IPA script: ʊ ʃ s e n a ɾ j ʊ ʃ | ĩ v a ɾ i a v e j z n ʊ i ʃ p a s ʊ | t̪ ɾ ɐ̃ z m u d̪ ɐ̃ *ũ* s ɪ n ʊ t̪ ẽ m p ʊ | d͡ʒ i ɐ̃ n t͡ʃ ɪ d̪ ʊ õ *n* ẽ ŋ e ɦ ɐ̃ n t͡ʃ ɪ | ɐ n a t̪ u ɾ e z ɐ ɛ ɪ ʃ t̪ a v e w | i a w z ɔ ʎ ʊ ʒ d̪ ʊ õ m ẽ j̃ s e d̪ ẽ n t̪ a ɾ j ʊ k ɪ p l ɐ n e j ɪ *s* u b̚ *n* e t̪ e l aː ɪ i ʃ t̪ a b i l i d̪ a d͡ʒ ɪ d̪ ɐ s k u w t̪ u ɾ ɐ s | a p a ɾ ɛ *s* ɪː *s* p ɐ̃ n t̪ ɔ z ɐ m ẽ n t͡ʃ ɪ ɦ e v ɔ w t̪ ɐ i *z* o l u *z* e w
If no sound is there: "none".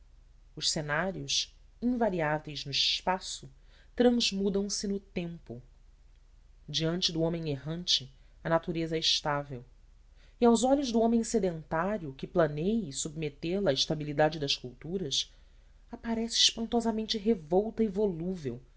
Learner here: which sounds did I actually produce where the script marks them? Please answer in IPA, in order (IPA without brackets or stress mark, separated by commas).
w̃, m, s, m, s, ʃ, v, v